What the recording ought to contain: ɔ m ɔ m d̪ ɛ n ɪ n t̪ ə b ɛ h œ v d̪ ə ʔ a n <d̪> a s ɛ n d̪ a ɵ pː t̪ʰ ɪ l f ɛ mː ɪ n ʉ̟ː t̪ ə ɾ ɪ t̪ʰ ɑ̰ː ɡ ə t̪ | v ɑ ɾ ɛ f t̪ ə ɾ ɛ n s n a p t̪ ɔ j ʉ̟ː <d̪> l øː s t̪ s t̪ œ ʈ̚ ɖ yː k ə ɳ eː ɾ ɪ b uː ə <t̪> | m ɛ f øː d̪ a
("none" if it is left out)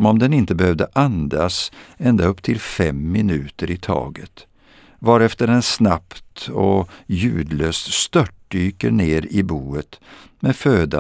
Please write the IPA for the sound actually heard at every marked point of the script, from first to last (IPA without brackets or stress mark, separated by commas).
d̪, d̪, t̪